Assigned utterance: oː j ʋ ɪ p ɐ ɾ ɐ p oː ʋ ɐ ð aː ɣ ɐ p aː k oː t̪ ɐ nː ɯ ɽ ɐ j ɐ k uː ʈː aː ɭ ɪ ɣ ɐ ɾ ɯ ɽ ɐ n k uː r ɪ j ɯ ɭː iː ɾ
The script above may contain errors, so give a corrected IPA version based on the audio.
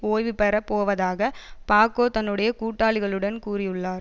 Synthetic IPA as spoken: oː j ʋ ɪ p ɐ ɾ ɐ p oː ʋ ɐ ð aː ɣ ɐ p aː k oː t̪ ɐ nː ɯ ɽ ɐ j ɐ k uː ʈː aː ɭ ɪ ɣ ɐ ɭ ɯ ɽ ɐ n k uː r ɪ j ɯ ɭː aː ɾ

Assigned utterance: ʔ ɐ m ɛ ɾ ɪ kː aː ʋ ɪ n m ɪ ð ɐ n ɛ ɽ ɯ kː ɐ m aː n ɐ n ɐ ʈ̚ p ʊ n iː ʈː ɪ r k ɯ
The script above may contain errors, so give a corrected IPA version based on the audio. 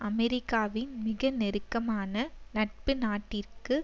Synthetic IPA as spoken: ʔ ɐ m ɛ ɾ ɪ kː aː ʋ ɪ n m ɪ ɣ ɐ n ɛ ɾ ɯ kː ɐ m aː n ɐ n ɐ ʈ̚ p ɯ n aː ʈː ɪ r k ɯ

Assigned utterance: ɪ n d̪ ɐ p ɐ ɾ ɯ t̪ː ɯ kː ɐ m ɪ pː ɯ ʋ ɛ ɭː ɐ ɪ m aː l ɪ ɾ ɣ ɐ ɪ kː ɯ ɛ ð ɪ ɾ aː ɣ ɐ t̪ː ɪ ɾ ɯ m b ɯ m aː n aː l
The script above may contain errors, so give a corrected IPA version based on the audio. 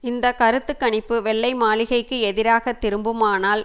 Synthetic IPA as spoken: ɪ n d̪ ɐ k ɐ ɾ ɯ t̪ː ɯ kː ɐ ɳ ɪ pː ɯ ʋ ɛ ɭː ɐ ɪ m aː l ɪ ɣ ɐ ɪ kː ɯ ɛ ð ɪ ɾ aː ɣ ɐ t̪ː ɪ ɾ ɯ m b ɯ m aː n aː l

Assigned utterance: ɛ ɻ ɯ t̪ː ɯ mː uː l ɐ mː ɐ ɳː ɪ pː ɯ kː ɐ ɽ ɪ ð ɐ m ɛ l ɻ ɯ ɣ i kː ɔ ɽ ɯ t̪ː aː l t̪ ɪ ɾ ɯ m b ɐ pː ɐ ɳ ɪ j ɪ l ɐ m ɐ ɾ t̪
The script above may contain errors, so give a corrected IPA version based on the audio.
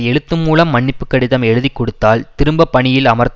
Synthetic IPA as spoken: ɛ ɻ ɯ t̪ː ɯ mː uː l ɐ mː ɐ ɳː ɪ pː ɯ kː ɐ ɽ ɪ ð ɐ m ɛ ɻ ɯ ð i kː ɔ ɽ ɯ t̪ː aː l t̪ ɪ ɾ ɯ m b ɐ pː ɐ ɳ ɪ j ɪ l ɐ m ɐ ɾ t̪

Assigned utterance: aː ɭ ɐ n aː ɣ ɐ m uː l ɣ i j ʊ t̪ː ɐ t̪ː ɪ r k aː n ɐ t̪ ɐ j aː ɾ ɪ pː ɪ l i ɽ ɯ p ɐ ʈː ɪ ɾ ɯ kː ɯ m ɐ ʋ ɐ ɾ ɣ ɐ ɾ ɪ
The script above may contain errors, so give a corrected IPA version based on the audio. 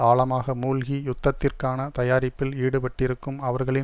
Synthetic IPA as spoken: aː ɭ ɐ m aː ɣ ɐ m uː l ɣ i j ʊ t̪ː ɐ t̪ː ɪ r k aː n ɐ t̪ ɐ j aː ɾ ɪ pː ɪ l iː ɽ ɯ p ɐ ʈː ɪ ɾ ɯ kː ɯ m ɐ ʋ ɐ ɾ ɣ ɐ ɭ ɪ

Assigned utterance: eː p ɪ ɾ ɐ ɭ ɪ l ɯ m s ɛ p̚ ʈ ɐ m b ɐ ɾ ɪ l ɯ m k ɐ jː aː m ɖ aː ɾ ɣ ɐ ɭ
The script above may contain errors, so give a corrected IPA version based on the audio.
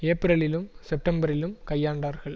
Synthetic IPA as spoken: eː p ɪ ɾ ɐ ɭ ɪ l ɯ m s ɛ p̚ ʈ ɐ m b ɐ ɾ ɪ l ɯ m k ɐ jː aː ɳ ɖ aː ɾ ɣ ɐ ɭ

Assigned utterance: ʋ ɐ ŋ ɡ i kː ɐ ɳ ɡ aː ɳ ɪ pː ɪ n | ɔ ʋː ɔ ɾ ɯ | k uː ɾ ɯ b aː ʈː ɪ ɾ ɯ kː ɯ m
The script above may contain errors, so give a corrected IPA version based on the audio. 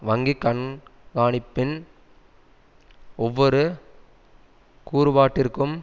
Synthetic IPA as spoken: ʋ ɐ ŋ ɡ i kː ɐ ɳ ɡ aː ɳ ɪ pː ɪ n | ɔ ʋː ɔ ɾ ɯ | k uː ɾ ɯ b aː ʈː ɪ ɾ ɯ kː ɯ m

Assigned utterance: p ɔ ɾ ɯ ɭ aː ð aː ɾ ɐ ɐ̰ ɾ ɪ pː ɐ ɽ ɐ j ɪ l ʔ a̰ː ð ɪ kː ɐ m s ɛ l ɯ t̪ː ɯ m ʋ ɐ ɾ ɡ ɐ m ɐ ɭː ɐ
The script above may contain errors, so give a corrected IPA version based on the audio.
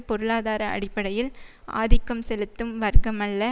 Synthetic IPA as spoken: p ɔ ɾ ɯ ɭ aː ð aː ɾ ɐ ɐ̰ ɽ ɪ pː ɐ ɽ ɐ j ɪ l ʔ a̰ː ð ɪ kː ɐ m s ɛ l ɯ t̪ː ɯ m ʋ ɐ ɾ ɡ ɐ m ɐ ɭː ɐ

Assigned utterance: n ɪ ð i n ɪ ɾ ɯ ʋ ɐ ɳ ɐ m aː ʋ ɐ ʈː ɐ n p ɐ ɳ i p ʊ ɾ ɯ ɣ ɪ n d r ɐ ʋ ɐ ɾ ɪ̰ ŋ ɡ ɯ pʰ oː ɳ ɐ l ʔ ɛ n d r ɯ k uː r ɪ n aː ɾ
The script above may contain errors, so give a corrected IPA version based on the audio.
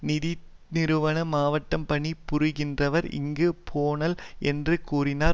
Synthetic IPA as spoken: n ɪ ð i n ɪ ɾ ɯ ʋ ɐ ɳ ɐ m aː ʋ ɐ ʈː ɐ m p ɐ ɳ i p ʊ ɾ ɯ ɣ ɪ n d r ɐ ʋ ɐ ɾ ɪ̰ ŋ ɡ ɯ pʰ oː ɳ ɐ l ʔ ɛ n d r ɯ k uː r ɪ n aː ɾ

